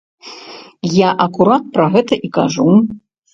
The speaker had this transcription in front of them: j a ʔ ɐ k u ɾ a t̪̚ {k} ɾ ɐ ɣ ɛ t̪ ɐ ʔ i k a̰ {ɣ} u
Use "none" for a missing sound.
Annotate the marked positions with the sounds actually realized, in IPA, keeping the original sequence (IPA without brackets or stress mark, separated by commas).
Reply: p, ʐ